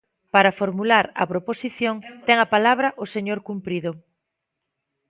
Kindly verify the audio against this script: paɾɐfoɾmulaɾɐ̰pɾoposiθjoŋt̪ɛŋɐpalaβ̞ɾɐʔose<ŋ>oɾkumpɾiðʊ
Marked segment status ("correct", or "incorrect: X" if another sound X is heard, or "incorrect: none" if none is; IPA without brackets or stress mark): incorrect: ɲ